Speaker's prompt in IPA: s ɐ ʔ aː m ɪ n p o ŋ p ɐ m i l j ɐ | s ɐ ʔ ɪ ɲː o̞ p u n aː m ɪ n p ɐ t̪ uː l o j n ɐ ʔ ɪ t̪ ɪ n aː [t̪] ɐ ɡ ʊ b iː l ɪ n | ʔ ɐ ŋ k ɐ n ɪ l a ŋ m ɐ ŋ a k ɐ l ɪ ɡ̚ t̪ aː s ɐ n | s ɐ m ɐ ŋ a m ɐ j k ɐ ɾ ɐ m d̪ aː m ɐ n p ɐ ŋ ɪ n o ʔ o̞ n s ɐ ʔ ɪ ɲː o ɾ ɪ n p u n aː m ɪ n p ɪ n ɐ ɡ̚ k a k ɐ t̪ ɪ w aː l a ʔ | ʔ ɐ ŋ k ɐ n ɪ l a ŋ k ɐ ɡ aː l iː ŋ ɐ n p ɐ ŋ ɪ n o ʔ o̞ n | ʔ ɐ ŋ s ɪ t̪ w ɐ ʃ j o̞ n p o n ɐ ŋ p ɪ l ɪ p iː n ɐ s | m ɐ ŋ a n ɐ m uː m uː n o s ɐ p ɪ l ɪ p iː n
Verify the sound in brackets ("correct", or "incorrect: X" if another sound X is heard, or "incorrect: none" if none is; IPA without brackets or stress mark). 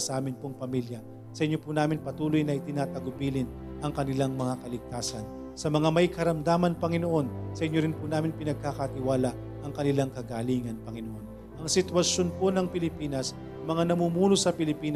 correct